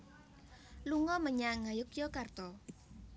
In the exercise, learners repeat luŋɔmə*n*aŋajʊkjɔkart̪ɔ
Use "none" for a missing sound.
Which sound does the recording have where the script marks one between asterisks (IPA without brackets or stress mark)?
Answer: ɲ